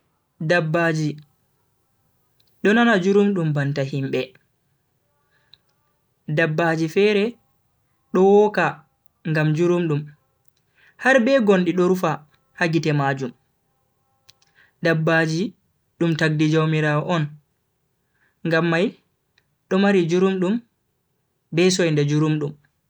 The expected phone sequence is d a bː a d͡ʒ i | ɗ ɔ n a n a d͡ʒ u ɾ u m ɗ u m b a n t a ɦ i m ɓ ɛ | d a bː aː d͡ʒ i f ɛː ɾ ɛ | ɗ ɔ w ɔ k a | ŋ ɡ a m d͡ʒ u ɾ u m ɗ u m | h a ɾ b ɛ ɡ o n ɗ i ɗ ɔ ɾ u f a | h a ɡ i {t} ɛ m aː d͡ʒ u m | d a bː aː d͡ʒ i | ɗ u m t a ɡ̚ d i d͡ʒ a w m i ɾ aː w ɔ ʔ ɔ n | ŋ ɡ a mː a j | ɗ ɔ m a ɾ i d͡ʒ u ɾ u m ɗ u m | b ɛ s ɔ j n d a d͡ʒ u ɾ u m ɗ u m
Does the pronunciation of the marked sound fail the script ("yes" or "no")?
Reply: no